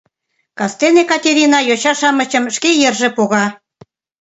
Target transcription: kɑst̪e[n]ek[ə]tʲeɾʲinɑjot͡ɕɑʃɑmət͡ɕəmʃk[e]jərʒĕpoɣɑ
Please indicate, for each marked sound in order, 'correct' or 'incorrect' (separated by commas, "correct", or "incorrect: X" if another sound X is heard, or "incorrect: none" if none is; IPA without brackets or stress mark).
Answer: correct, incorrect: ɑ, correct